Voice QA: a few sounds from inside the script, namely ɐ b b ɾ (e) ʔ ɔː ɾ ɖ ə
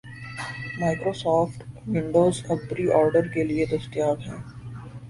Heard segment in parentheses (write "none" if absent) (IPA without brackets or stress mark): i